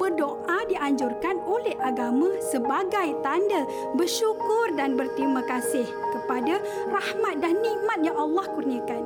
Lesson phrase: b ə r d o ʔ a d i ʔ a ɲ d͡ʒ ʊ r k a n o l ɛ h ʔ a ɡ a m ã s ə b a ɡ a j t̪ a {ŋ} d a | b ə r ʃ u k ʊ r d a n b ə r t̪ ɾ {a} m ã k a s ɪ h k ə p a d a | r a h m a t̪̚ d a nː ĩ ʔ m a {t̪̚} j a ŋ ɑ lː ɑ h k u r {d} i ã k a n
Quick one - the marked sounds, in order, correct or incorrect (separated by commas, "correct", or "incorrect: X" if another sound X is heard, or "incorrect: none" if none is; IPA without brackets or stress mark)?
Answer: incorrect: n, incorrect: i, correct, incorrect: n